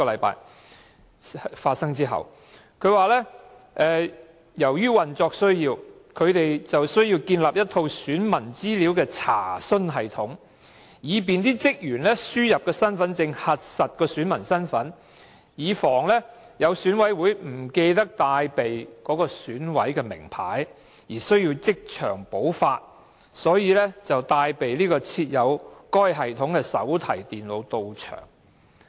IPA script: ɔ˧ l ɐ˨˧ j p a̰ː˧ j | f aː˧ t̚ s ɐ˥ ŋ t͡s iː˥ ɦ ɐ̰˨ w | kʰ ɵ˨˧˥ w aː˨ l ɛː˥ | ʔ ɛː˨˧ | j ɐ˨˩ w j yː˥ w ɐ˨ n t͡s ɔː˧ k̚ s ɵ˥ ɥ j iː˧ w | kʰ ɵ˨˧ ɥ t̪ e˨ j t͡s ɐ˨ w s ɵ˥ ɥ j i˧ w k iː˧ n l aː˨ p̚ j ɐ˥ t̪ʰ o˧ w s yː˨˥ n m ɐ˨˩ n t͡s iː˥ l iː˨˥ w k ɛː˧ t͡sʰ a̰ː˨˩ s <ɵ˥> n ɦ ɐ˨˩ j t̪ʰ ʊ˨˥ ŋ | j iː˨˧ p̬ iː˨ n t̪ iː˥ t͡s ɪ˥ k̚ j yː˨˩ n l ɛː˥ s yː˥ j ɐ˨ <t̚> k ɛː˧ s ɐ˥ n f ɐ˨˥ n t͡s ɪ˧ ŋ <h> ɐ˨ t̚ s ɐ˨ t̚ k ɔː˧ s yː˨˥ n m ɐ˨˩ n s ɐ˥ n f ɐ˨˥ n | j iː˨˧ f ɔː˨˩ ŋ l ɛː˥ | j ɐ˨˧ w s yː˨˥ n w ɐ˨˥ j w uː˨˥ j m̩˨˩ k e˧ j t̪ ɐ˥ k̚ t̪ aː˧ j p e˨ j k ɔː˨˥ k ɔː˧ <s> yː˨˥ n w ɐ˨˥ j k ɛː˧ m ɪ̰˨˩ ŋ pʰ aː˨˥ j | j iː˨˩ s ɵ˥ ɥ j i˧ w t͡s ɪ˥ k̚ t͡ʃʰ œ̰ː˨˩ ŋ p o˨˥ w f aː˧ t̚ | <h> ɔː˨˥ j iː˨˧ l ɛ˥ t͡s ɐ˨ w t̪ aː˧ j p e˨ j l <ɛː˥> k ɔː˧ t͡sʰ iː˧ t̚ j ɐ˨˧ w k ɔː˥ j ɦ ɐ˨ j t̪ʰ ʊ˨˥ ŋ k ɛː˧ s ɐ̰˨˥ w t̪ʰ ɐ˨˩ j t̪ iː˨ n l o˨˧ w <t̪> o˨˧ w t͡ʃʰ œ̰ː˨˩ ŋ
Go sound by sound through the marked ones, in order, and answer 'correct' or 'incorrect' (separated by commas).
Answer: correct, incorrect, correct, correct, incorrect, incorrect, correct